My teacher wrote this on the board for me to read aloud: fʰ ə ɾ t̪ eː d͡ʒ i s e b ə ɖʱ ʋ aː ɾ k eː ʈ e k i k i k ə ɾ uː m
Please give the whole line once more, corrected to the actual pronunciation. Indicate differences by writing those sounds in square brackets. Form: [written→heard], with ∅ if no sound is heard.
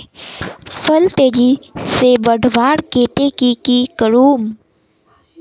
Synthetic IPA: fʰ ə [ɾ→l] t̪ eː d͡ʒ i s e b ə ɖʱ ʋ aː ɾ k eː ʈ e k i k i k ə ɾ uː m